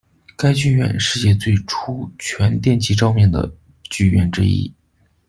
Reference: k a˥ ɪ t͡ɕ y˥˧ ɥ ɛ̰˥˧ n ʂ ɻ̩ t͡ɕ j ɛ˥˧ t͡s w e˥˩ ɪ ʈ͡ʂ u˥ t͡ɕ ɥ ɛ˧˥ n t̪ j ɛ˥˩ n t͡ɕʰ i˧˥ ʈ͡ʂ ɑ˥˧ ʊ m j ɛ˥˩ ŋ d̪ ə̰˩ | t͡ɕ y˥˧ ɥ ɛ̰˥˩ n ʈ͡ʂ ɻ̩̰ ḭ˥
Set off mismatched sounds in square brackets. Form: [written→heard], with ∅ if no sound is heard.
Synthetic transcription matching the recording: k a˥ ɪ t͡ɕ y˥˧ ɥ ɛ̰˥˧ n ʂ ɻ̩ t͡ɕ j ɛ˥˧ t͡s w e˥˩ ɪ [ʈ͡ʂ→ʈ͡ʂʰ] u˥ [t͡ɕ→t͡ɕʰ] ɥ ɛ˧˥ n t̪ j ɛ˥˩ n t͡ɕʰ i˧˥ ʈ͡ʂ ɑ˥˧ ʊ m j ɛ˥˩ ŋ d̪ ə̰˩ | t͡ɕ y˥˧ ɥ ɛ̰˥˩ n ʈ͡ʂ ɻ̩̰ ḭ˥